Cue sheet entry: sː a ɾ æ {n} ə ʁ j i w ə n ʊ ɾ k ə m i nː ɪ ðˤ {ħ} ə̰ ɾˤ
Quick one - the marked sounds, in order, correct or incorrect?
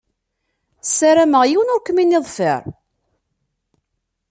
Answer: incorrect: m, incorrect: f

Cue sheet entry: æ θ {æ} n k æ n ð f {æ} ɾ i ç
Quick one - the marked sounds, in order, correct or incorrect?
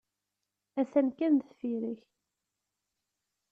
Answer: correct, incorrect: i

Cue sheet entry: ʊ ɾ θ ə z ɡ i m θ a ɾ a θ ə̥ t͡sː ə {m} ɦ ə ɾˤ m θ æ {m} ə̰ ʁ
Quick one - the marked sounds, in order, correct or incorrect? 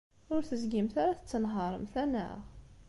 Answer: incorrect: n, incorrect: n

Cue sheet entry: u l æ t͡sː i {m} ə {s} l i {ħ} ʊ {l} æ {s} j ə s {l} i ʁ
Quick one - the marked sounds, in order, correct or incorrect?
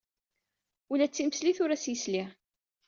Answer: correct, correct, incorrect: θ, incorrect: ɾ, correct, correct

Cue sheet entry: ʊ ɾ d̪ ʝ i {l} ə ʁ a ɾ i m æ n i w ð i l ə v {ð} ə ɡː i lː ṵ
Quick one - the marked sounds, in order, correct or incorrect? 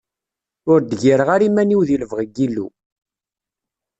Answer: incorrect: ɾ, incorrect: ʁ

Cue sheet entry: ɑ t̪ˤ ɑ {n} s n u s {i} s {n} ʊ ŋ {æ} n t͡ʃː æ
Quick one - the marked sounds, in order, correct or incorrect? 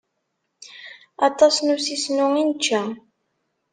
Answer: incorrect: none, correct, correct, incorrect: i

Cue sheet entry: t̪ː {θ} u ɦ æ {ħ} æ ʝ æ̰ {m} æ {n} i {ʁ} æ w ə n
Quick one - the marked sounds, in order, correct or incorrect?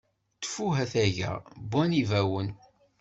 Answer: incorrect: f, incorrect: θ, incorrect: b, correct, incorrect: v

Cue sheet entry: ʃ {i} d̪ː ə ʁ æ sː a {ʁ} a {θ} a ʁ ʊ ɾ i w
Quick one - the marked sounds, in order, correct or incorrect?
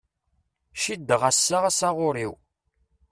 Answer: correct, correct, incorrect: s

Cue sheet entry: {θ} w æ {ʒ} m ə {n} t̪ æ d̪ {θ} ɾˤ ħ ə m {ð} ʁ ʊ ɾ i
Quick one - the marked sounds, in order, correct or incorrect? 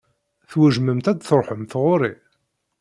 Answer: correct, correct, incorrect: m, correct, incorrect: θ

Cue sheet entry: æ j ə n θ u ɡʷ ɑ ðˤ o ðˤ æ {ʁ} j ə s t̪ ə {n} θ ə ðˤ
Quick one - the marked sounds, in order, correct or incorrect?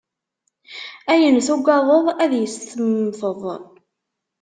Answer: incorrect: ð, incorrect: m

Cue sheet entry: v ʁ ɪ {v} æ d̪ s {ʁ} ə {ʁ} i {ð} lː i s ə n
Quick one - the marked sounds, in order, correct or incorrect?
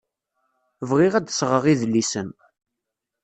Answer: incorrect: ʁ, correct, correct, correct

